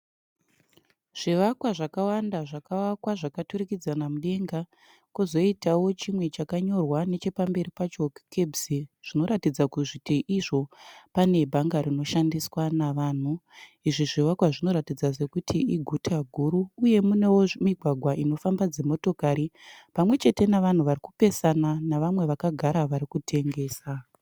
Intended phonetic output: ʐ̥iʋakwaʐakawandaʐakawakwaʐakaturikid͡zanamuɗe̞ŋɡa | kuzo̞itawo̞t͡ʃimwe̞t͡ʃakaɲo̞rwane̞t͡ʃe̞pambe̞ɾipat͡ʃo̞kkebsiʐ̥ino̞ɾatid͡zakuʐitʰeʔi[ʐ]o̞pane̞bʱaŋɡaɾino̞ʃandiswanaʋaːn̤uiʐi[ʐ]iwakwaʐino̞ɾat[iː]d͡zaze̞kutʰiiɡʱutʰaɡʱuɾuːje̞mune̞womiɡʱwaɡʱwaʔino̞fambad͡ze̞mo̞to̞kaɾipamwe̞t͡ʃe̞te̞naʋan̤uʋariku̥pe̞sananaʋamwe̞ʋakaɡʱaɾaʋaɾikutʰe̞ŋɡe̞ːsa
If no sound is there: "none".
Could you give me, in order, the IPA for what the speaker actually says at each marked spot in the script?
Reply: ʐ, ʐ, i

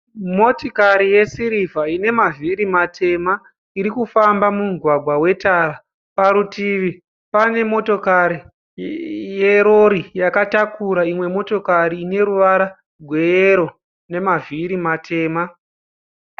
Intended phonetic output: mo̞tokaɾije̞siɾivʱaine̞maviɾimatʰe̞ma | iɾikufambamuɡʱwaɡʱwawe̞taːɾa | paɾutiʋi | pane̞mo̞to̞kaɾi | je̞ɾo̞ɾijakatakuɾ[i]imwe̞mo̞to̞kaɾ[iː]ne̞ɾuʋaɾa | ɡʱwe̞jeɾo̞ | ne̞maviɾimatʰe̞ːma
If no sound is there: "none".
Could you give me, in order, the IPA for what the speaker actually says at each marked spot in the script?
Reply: a, iː

